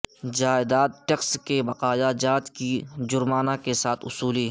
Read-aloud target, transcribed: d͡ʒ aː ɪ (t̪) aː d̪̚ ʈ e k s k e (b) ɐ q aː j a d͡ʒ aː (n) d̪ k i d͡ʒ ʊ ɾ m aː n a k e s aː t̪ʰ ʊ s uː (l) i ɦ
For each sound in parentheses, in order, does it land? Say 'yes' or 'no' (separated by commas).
no, yes, no, yes